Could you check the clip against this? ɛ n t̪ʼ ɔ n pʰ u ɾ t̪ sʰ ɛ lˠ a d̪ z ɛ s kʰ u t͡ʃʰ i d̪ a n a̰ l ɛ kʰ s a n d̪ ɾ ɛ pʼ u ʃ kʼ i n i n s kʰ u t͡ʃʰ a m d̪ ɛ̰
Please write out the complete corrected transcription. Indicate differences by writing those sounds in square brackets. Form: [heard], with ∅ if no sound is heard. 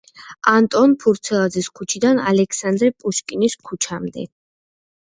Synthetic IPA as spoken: [a] n t̪ʼ ɔ n pʰ u ɾ t̪ sʰ ɛ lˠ a d̪ z ɛ s kʰ u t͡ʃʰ i d̪ a n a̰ l ɛ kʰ s a n d̪ ɾ ɛ pʼ u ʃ kʼ i n i [∅] s kʰ u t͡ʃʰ a m d̪ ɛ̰